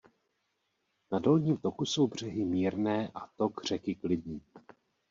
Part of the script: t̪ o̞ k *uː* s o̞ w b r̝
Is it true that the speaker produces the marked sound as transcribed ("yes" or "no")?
no